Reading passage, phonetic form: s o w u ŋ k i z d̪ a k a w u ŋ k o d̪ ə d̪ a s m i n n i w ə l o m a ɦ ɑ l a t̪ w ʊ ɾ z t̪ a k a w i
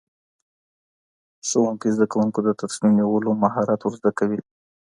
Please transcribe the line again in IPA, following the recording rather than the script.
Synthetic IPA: s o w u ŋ k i z d̪ a k a w u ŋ k o d̪ ə t̪ a s m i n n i w ə l o m a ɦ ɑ ɾ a t̪ w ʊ ɾ z d̪ a k a w i